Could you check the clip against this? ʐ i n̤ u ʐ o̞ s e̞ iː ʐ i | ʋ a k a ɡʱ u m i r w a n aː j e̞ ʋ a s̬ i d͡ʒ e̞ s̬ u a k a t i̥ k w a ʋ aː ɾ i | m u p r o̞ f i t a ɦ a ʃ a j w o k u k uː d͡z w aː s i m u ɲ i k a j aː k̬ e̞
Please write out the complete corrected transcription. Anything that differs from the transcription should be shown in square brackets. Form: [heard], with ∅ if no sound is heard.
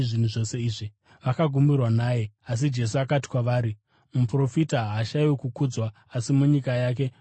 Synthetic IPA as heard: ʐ i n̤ u ʐ o̞ s e̞ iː ʐ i | ʋ a k a ɡʱ u m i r w a n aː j e̞ [∅] a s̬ i d͡ʒ e̞ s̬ u a k a t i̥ k w a ʋ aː ɾ i | m u p r o̞ f i t a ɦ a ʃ a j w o k u k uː d͡z w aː s i m u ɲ i k a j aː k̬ e̞